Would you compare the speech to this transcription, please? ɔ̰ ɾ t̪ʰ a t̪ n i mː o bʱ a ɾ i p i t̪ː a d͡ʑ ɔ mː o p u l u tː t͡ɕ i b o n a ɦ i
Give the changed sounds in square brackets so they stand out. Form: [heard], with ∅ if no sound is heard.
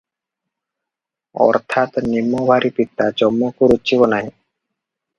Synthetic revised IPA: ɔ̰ ɾ t̪ʰ a t̪ n i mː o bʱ a ɾ i p i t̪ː a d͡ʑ ɔ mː o [k] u [ɾ] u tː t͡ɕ i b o n a ɦ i